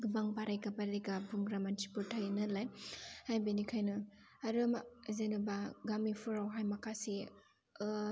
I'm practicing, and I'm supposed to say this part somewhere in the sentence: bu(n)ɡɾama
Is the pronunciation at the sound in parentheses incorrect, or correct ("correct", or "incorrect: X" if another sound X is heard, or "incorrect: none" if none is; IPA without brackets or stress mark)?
incorrect: ŋ